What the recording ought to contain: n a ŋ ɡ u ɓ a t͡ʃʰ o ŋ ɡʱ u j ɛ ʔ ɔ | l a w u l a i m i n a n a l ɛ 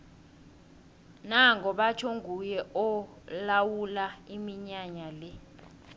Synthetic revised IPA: n a ŋ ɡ ɔ ɓ a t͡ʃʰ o ŋ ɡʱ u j ɛ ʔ ɔ | l a w u l a i m i ɲ a ɲ a l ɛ